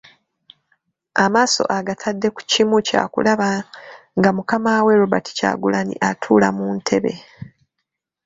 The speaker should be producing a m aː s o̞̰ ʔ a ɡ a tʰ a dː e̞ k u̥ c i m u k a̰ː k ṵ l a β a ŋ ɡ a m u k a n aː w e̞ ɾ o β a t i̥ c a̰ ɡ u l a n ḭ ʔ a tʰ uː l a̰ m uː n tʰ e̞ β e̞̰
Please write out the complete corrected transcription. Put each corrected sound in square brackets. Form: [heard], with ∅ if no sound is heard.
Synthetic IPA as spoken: a m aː s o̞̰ ʔ a ɡ a tʰ a dː e̞ k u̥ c i m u [c] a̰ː k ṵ l a β a ŋ ɡ a m u k a [m] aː w e̞ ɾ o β a t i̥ c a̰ ɡ u l a n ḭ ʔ a tʰ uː l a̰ m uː n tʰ e̞ β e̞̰